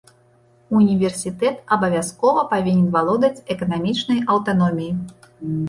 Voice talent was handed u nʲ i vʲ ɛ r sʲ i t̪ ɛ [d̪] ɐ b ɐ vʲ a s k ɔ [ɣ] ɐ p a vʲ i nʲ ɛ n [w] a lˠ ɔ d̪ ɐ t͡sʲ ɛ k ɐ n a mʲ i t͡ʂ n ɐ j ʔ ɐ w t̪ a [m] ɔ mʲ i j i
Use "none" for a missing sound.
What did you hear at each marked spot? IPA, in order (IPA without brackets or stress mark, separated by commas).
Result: t̪, v, v, n